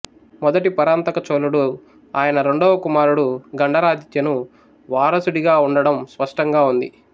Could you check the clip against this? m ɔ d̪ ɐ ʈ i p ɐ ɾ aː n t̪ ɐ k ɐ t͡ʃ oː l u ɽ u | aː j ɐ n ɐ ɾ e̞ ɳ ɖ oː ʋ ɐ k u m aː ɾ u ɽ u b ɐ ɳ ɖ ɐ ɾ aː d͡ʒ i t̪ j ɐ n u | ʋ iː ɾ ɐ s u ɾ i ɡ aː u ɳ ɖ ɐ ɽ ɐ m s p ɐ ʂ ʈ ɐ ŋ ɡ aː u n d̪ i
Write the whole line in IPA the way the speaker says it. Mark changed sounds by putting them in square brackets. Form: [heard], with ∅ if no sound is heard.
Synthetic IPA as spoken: m ɔ d̪ ɐ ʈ i p ɐ ɾ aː n t̪ ɐ k ɐ t͡ʃ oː l u ɽ u | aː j ɐ n ɐ ɾ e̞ ɳ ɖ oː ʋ ɐ k u m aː ɾ u ɽ u [ɡ] ɐ ɳ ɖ ɐ ɾ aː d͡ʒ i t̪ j ɐ n u | ʋ [aː] ɾ ɐ s u [ɽ] i ɡ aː u ɳ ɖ ɐ ɽ ɐ m s p ɐ ʂ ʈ ɐ ŋ ɡ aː u n d̪ i